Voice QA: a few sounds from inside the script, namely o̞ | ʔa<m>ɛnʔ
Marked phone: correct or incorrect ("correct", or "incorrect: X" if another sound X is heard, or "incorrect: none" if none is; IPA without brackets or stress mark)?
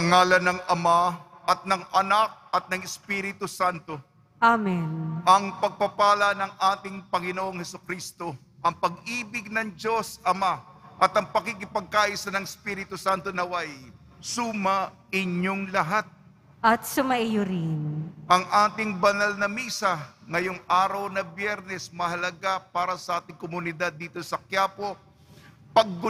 correct